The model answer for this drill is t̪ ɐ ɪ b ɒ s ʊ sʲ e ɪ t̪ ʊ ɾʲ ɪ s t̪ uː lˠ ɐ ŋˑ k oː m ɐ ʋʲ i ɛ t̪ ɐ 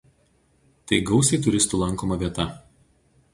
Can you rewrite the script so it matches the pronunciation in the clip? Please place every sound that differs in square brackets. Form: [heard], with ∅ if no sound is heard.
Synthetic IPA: t̪ ɐ ɪ [ɡ] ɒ [∅] ʊ sʲ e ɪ t̪ ʊ ɾʲ ɪ s t̪ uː lˠ ɐ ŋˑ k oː m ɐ ʋʲ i ɛ t̪ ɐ